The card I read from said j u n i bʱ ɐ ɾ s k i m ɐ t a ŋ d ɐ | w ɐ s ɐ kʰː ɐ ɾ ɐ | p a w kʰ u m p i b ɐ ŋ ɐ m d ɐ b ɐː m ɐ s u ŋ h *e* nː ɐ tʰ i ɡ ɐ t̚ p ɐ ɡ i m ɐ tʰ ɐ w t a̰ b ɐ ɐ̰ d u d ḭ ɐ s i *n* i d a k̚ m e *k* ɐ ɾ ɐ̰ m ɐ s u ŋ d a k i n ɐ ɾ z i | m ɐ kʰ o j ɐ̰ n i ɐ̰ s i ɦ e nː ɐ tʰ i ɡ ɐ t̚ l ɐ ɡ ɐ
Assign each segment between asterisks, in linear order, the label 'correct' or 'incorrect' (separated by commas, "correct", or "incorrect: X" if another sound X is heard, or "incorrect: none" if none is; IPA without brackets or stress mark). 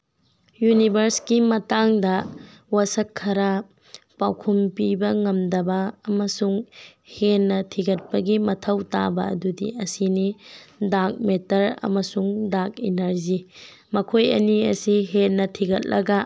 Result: correct, correct, incorrect: t